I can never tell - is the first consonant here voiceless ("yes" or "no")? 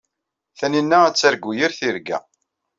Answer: yes